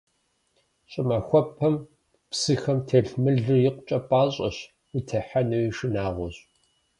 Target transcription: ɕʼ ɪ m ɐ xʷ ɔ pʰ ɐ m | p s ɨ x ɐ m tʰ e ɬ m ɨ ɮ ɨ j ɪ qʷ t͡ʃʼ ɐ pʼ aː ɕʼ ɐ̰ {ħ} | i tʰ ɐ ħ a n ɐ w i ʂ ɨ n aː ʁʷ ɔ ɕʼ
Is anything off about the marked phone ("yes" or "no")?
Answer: yes